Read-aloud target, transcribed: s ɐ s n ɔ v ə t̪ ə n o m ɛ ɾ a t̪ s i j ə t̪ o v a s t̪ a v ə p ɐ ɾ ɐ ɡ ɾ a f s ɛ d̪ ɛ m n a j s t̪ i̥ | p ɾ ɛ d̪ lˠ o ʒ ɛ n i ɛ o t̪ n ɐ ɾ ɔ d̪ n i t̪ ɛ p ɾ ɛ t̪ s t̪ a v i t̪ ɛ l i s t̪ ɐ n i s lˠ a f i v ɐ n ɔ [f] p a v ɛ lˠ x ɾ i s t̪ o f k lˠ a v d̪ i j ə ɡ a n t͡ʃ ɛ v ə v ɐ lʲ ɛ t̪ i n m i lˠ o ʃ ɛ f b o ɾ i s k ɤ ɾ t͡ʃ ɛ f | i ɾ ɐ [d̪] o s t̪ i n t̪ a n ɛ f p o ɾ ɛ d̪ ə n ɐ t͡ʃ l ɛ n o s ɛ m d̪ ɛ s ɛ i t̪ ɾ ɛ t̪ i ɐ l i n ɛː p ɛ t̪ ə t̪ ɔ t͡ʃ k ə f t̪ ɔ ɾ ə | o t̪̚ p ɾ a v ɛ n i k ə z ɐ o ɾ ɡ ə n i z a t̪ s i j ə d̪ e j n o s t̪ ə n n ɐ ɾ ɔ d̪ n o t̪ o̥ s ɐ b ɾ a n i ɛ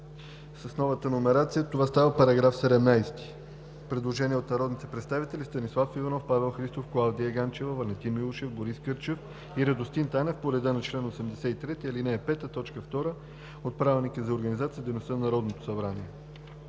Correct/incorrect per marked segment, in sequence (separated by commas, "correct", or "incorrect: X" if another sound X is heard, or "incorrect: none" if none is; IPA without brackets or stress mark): correct, correct